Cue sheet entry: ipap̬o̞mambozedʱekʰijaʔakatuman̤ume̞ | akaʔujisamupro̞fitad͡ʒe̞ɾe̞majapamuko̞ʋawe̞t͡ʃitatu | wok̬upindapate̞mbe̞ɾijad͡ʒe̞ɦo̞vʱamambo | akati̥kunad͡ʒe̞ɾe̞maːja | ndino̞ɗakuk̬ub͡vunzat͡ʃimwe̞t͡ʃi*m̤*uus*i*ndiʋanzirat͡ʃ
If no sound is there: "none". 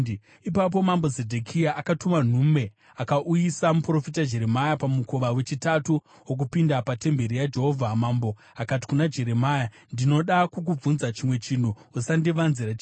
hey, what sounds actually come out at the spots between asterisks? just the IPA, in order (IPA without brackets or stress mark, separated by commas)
n̤, a